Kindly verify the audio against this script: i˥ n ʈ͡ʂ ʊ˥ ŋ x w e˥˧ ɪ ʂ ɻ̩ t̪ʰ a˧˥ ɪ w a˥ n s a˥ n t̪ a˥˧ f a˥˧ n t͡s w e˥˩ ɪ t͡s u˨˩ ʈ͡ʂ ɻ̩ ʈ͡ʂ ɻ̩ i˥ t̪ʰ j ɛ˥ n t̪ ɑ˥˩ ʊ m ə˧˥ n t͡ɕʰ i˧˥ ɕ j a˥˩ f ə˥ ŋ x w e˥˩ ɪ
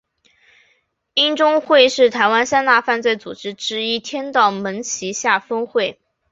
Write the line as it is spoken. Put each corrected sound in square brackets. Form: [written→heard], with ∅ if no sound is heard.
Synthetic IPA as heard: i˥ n ʈ͡ʂ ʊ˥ ŋ x w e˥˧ ɪ ʂ ɻ̩ t̪ʰ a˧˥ ɪ w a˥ n s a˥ n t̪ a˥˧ f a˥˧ n t͡s w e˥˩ ɪ t͡s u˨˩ ʈ͡ʂ ɻ̩ ʈ͡ʂ ɻ̩ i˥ t̪ʰ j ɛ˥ n t̪ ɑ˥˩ ʊ m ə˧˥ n t͡ɕʰ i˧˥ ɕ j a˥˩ f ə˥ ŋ x w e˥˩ ɪ